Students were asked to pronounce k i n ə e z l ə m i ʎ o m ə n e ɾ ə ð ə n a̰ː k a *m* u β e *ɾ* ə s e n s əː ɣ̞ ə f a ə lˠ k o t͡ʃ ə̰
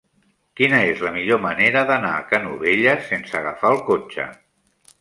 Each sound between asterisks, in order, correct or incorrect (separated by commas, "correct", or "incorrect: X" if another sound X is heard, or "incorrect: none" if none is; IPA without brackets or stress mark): incorrect: n, incorrect: ʎ